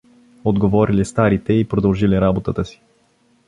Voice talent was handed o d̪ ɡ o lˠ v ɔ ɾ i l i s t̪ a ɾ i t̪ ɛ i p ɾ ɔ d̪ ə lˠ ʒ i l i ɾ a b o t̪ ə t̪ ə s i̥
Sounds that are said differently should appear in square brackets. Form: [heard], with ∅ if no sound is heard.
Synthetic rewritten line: o d̪ ɡ o [∅] v ɔ ɾ i l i s t̪ a ɾ i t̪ ɛ i p ɾ [o] d̪ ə lˠ ʒ i l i ɾ a b o t̪ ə t̪ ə s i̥